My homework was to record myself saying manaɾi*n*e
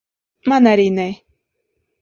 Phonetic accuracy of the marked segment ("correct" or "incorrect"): correct